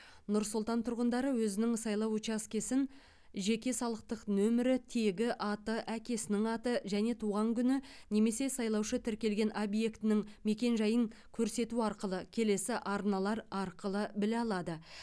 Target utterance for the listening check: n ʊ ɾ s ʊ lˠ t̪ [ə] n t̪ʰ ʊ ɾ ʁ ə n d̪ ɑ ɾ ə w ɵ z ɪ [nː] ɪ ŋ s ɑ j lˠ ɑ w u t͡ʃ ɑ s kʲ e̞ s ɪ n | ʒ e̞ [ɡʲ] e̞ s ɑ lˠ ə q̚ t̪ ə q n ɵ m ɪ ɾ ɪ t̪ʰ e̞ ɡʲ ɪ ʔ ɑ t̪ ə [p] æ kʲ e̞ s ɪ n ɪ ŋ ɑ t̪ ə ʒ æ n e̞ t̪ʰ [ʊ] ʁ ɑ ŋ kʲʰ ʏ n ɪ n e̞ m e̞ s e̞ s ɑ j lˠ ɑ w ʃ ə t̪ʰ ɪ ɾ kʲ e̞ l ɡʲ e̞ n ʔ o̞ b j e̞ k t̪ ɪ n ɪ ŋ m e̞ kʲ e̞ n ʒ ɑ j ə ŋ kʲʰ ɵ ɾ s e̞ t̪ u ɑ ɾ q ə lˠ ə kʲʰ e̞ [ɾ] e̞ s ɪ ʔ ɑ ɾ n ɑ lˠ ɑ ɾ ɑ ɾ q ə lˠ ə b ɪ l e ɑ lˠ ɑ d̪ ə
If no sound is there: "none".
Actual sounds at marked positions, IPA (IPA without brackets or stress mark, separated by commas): ɑ, n, kʲ, ʔ, u, l